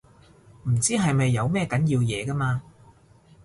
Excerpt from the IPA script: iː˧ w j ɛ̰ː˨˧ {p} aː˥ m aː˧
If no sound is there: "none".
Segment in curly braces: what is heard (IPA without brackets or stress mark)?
k